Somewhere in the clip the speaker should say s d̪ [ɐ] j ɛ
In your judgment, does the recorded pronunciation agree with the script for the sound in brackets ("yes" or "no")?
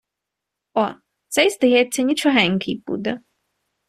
yes